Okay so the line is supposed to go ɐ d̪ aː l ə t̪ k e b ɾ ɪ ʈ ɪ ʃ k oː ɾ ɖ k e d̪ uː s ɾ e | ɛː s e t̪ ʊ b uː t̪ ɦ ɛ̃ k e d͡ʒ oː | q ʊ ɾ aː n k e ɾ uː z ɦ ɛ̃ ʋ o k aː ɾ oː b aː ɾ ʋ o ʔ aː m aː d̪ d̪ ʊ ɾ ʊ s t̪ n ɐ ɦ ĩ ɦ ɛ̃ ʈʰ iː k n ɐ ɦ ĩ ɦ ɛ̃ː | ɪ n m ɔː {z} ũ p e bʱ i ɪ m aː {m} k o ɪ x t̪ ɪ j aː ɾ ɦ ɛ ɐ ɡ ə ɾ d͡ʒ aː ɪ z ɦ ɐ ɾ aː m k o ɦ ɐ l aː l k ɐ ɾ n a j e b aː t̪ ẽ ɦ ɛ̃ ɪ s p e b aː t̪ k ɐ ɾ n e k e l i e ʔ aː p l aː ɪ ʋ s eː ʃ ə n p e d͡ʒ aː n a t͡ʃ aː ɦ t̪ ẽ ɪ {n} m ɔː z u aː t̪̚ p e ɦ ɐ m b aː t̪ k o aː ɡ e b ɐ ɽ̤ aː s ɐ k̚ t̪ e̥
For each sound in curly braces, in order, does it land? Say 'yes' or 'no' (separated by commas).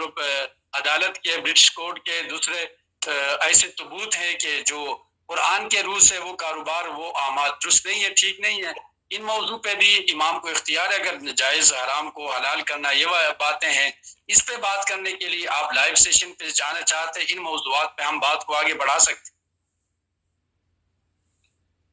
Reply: yes, yes, yes